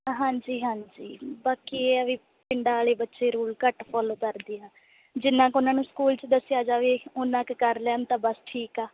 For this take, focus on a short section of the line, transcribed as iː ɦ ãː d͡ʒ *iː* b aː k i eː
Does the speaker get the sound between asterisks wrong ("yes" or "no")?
no